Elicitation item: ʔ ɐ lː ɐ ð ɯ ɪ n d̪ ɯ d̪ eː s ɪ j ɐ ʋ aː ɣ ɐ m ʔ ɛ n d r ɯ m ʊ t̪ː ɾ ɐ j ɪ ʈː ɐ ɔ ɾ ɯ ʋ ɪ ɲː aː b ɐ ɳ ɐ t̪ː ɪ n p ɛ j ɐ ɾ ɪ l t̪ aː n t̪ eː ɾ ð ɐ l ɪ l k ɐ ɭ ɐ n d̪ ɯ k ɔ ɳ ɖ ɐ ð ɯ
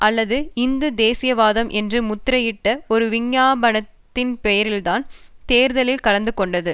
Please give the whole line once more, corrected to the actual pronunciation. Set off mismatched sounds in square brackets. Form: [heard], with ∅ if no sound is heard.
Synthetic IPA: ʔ ɐ lː ɐ ð ɯ ɪ n d̪ ɯ d̪ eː s ɪ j ɐ ʋ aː [ð] ɐ m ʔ ɛ n d r ɯ m ʊ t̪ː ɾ ɐ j ɪ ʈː ɐ ɔ ɾ ɯ ʋ ɪ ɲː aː b ɐ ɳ ɐ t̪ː ɪ n p ɛ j ɐ ɾ ɪ l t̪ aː n t̪ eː ɾ ð ɐ l ɪ l k ɐ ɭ ɐ n d̪ ɯ k ɔ ɳ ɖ ɐ ð ɯ

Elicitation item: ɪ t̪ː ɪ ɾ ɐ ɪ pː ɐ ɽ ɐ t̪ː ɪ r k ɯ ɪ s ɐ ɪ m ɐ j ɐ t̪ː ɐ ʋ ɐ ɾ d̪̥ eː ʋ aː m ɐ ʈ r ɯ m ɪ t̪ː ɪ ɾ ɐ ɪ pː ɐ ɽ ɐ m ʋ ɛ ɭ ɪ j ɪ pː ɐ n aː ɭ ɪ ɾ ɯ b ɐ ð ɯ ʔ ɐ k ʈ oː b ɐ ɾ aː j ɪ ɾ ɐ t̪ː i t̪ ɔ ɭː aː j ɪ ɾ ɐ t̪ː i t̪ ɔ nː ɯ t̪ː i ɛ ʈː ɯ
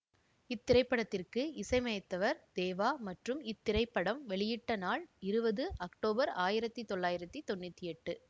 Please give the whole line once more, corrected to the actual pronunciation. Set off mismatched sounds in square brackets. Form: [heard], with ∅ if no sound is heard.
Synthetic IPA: ɪ t̪ː ɪ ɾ ɐ ɪ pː ɐ ɽ ɐ t̪ː ɪ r k ɯ ɪ s ɐ ɪ m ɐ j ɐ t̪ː ɐ ʋ ɐ ɾ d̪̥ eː ʋ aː m ɐ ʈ r ɯ m ɪ t̪ː ɪ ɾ ɐ ɪ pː ɐ ɽ ɐ m ʋ ɛ ɭ ɪ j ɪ [ʈː] ɐ n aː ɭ ɪ ɾ ɯ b ɐ ð ɯ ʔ ɐ k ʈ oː b ɐ ɾ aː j ɪ ɾ ɐ t̪ː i t̪ ɔ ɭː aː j ɪ ɾ ɐ t̪ː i t̪ ɔ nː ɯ t̪ː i ɛ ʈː ɯ

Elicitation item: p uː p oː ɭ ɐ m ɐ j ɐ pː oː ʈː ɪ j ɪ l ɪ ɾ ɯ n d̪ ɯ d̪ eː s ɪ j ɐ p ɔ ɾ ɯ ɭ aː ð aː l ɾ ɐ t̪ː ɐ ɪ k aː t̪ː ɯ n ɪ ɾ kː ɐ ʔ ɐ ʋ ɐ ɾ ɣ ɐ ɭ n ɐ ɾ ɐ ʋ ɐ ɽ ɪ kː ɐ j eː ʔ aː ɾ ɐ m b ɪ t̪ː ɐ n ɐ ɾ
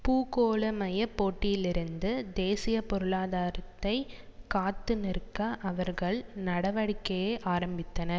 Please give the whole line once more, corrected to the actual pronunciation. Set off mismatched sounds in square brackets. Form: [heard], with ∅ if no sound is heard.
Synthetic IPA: p uː [k] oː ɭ ɐ m ɐ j ɐ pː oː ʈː ɪ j ɪ l ɪ ɾ ɯ n d̪ ɯ d̪ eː s ɪ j ɐ p ɔ ɾ ɯ ɭ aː ð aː [∅] ɾ ɐ t̪ː ɐ ɪ k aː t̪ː ɯ n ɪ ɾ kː ɐ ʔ ɐ ʋ ɐ ɾ ɣ ɐ ɭ n ɐ [ɽ] ɐ ʋ ɐ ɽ ɪ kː ɐ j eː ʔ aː ɾ ɐ m b ɪ t̪ː ɐ n ɐ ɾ

